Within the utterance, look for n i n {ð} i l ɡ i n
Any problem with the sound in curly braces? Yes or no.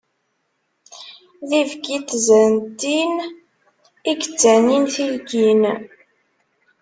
yes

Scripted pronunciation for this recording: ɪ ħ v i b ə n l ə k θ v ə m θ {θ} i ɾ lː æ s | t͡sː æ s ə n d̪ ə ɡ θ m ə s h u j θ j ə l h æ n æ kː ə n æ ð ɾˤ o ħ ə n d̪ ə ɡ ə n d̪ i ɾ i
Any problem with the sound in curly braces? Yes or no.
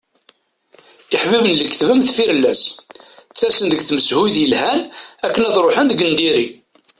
yes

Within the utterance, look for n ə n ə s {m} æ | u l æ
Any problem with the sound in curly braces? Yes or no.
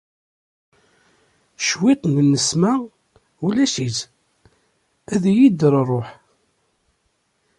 no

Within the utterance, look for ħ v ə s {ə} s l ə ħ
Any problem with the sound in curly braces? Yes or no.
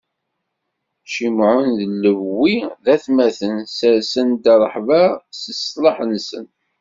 no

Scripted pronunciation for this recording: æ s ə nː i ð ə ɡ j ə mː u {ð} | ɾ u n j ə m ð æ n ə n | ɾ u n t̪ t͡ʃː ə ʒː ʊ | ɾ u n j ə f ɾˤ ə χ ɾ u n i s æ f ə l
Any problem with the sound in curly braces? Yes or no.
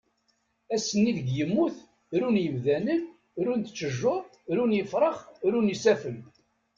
yes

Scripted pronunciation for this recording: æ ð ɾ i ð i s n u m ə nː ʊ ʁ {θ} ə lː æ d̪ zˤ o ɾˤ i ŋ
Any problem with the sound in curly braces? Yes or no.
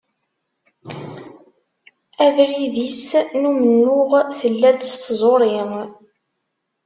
no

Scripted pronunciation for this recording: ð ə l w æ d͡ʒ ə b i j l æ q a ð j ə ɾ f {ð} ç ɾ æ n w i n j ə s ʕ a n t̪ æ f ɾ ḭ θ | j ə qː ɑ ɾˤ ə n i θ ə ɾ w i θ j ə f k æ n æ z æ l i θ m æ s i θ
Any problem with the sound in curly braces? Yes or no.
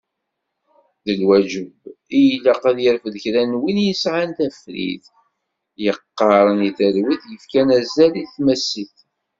no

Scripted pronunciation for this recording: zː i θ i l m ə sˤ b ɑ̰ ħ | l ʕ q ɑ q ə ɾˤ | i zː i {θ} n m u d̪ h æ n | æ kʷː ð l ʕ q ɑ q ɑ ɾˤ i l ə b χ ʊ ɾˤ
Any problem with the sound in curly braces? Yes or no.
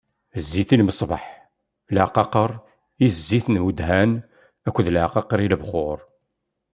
no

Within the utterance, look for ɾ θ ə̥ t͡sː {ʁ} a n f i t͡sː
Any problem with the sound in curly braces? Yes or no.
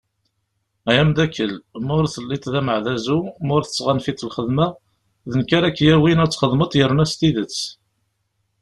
no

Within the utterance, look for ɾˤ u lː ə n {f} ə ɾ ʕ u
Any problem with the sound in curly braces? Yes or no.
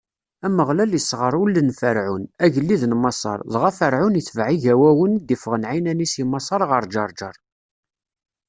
no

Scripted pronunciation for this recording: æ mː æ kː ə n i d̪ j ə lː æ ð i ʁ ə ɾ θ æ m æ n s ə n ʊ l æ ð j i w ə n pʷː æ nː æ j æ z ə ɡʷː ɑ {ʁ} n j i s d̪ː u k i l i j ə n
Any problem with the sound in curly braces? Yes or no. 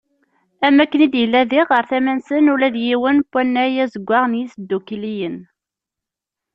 no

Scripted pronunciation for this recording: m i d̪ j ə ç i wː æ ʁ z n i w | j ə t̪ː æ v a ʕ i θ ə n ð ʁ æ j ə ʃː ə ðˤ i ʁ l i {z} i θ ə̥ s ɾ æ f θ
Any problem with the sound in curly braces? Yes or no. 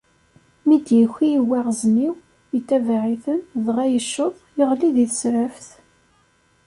yes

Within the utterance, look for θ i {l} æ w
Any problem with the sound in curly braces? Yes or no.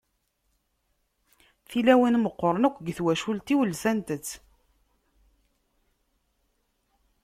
no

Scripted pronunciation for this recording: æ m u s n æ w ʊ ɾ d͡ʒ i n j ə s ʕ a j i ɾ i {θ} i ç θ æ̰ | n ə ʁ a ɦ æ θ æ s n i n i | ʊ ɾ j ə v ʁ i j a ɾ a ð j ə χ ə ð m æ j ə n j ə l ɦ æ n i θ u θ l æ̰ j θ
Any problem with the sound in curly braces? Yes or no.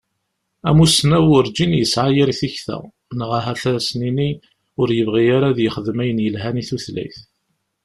no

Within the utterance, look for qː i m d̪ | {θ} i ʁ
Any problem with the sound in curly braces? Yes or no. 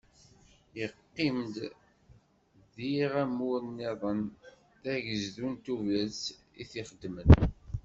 yes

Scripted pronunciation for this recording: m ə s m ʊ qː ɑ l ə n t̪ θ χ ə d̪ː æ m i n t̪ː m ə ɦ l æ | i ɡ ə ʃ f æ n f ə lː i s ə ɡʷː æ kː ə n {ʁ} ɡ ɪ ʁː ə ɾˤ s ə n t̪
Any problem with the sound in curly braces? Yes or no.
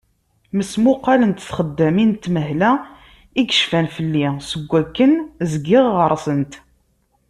yes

